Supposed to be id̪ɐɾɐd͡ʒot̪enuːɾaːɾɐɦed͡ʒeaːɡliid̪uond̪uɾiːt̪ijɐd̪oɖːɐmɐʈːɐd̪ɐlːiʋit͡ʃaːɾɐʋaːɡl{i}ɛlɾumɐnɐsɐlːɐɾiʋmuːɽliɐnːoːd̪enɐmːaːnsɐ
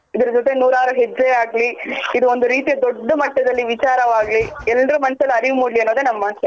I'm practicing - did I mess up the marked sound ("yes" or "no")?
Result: no